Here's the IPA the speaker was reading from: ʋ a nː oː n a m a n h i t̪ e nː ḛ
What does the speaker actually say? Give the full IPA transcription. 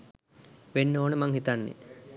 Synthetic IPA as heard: ʋ e nː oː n ə m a ŋ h i t̪ a nː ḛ